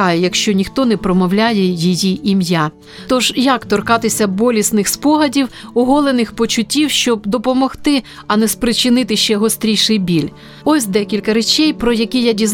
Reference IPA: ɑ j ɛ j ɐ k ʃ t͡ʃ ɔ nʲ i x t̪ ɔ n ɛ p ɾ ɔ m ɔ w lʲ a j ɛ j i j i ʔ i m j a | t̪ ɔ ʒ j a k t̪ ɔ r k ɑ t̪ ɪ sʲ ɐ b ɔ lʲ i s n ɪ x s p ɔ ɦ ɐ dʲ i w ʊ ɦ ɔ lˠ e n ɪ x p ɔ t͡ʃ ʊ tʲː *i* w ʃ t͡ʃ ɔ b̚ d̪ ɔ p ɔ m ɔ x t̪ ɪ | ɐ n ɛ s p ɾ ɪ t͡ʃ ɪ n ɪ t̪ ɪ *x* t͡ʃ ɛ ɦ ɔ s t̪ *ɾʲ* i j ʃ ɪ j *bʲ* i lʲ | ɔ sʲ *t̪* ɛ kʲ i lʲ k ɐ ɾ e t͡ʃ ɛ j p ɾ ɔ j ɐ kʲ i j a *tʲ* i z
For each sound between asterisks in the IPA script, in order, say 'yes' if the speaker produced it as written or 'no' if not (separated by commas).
yes, no, yes, yes, no, no